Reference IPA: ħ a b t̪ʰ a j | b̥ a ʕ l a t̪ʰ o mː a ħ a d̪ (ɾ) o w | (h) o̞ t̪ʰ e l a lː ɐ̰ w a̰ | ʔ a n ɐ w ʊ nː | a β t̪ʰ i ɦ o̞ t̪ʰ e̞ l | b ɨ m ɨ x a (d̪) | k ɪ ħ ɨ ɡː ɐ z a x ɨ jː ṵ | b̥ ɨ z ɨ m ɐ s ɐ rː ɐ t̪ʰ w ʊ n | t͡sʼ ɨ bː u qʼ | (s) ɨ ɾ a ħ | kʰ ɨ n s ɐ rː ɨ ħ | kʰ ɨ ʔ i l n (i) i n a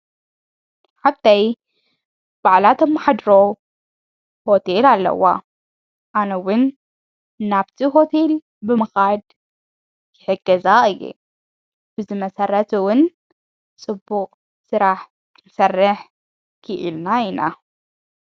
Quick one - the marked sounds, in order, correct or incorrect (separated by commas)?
correct, correct, correct, correct, incorrect